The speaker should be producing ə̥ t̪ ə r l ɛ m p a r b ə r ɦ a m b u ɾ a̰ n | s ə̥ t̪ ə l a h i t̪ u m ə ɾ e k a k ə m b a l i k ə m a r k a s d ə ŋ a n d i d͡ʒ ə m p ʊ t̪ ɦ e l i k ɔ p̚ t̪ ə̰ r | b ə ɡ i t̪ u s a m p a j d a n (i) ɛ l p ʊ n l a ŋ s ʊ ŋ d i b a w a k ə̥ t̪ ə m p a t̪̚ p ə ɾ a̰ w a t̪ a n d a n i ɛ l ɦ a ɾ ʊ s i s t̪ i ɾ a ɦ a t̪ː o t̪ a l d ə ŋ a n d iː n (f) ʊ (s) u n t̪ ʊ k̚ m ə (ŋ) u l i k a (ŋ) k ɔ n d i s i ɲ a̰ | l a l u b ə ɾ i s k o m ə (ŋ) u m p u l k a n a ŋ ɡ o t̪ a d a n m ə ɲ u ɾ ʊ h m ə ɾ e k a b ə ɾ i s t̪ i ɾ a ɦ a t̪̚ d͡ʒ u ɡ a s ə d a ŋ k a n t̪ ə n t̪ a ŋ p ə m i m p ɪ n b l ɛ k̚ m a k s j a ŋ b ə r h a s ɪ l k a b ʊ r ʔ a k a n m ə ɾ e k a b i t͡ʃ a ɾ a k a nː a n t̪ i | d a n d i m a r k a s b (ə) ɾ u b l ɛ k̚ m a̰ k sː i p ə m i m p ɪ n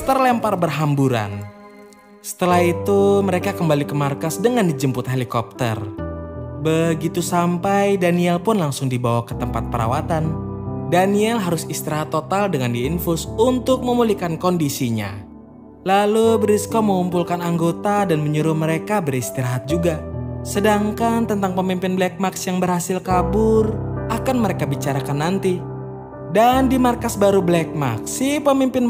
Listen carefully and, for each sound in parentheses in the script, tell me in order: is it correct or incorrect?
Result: correct, correct, correct, incorrect, incorrect, correct, incorrect

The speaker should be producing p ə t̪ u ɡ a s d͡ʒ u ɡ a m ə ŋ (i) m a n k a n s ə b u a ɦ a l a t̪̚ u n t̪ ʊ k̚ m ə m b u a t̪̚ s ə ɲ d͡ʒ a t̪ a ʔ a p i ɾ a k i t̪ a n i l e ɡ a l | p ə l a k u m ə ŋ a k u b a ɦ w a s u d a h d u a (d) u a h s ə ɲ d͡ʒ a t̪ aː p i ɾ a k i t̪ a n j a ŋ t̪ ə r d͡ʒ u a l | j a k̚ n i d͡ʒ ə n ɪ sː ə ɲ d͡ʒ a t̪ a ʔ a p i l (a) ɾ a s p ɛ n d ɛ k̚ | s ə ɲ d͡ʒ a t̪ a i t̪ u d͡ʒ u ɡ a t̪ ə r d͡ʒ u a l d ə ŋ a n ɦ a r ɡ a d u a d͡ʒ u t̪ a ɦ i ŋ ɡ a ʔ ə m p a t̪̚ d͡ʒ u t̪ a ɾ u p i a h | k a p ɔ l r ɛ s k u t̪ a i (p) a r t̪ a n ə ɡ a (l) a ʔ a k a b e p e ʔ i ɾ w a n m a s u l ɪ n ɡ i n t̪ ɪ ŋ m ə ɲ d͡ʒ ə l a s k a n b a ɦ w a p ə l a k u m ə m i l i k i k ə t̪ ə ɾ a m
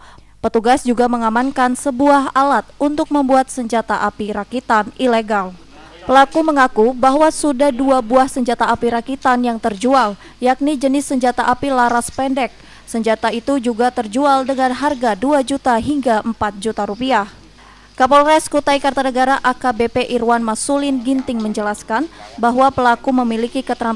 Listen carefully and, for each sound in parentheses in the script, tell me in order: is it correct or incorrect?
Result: incorrect, incorrect, correct, incorrect, incorrect

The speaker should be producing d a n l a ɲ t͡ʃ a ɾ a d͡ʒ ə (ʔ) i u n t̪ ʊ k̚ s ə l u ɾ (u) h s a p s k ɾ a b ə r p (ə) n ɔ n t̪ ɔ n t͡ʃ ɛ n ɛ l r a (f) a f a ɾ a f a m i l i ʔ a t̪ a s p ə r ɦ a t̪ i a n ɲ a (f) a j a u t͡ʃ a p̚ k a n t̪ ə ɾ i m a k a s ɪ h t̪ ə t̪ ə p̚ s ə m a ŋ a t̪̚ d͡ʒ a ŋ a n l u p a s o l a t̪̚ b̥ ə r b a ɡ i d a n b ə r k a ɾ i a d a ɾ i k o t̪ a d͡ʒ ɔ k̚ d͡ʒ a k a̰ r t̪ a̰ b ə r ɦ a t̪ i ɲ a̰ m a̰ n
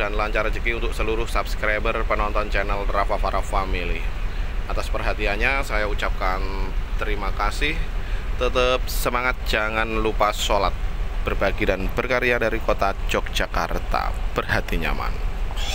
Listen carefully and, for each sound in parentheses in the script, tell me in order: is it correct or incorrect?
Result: incorrect, incorrect, correct, correct, incorrect

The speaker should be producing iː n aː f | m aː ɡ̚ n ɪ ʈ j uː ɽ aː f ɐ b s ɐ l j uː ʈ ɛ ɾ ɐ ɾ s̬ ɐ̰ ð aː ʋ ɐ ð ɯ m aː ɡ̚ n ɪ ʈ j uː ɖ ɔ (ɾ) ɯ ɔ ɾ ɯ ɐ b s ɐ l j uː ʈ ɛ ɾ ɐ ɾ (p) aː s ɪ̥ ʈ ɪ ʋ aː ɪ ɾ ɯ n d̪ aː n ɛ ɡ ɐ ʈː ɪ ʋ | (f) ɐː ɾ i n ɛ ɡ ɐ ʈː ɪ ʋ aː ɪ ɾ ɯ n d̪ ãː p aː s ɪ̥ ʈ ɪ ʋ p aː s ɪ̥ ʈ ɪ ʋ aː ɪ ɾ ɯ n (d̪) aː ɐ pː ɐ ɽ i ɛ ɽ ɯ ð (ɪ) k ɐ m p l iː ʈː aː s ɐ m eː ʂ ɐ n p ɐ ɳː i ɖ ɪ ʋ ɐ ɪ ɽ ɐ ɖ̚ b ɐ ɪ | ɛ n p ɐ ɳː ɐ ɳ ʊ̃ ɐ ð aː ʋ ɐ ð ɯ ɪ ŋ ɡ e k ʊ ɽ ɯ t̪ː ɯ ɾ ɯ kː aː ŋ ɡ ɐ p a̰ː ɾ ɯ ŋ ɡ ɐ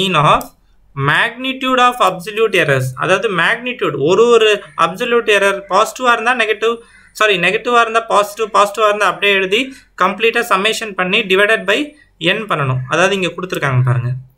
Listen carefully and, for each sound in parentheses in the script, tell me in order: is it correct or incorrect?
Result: correct, correct, incorrect, correct, incorrect

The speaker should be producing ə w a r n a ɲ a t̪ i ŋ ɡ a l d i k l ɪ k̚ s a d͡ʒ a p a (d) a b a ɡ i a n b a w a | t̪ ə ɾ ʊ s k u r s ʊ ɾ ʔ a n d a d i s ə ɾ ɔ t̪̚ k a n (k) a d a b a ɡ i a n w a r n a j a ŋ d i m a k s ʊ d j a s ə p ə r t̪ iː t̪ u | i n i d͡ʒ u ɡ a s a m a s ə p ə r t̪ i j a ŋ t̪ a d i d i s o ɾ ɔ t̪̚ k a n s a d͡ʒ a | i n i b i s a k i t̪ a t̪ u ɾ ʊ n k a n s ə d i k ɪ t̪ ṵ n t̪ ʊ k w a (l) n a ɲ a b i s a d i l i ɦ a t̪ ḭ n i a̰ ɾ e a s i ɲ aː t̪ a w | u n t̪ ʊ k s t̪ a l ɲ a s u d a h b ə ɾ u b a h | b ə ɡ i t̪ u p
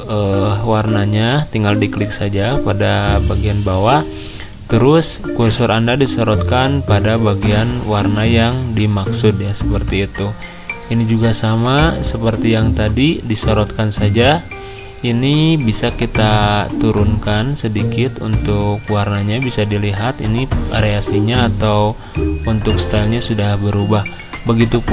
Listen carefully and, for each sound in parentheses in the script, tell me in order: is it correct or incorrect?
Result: correct, incorrect, incorrect

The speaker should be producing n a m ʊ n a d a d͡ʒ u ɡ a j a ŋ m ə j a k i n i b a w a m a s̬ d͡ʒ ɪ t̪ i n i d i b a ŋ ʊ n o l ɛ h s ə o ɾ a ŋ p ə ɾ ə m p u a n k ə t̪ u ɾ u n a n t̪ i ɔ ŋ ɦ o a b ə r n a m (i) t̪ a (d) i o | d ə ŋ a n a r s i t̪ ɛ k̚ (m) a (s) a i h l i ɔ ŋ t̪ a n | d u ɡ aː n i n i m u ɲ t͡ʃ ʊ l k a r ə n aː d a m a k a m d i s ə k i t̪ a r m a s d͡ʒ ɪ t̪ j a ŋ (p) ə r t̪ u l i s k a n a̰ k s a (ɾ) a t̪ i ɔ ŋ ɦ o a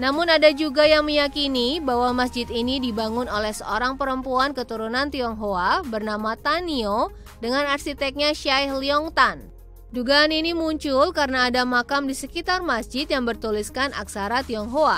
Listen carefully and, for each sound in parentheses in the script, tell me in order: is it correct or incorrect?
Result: incorrect, incorrect, incorrect, incorrect, incorrect, correct

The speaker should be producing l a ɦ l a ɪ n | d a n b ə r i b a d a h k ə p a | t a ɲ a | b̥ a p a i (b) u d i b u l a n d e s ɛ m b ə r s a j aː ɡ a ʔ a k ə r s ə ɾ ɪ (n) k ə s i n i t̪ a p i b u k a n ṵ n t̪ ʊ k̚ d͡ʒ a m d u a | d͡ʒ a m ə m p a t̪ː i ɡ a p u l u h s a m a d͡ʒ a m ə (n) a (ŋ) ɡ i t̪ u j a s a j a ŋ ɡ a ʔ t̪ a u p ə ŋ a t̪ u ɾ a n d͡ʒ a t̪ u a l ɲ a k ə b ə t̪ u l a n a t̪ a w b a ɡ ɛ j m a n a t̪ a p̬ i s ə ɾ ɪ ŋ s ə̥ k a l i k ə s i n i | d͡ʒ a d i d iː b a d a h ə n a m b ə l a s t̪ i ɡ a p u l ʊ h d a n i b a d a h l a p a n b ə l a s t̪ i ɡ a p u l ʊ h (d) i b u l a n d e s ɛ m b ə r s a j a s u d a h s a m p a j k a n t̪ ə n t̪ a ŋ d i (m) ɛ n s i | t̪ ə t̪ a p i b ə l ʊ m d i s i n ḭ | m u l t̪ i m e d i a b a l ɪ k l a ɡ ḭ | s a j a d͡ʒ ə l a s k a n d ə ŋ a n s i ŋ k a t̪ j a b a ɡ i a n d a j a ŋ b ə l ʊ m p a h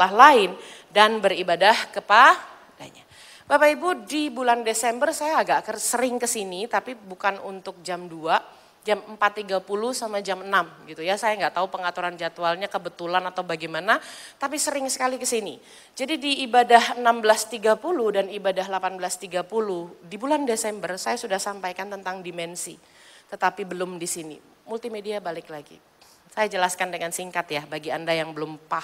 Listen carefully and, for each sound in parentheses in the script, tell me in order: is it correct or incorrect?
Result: correct, incorrect, correct, incorrect, correct, correct

